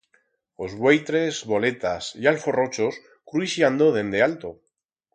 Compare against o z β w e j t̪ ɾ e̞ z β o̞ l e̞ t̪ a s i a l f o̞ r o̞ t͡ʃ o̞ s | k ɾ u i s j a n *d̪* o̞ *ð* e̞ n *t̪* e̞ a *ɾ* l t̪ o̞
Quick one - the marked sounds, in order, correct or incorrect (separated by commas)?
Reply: correct, correct, incorrect, incorrect